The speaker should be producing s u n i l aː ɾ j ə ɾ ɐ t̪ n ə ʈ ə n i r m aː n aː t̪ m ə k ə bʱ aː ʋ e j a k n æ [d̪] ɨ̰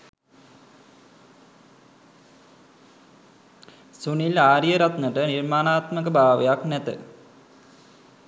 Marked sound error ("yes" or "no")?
yes